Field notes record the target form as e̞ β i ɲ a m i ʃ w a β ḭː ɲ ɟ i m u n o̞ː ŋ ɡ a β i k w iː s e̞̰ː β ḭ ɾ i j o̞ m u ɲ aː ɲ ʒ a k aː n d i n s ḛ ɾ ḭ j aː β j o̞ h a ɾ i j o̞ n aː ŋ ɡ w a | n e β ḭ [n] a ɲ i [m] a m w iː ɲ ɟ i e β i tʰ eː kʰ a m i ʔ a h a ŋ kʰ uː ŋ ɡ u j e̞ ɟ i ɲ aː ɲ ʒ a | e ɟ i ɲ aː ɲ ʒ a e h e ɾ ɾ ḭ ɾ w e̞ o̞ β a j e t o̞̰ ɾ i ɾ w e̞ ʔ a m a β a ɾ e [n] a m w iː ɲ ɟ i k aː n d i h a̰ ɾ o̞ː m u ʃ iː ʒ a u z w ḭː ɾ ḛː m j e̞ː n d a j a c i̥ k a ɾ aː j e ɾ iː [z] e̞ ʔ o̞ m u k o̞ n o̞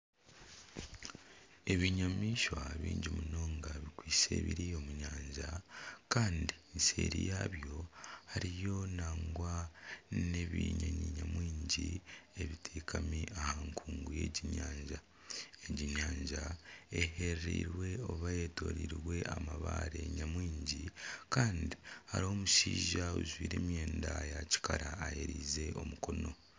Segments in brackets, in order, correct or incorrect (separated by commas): incorrect, incorrect, incorrect, correct